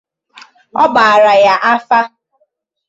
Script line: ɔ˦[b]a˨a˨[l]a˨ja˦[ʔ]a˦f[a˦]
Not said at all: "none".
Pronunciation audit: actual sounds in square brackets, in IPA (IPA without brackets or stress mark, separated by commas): b, ɾ, ʔ, a˦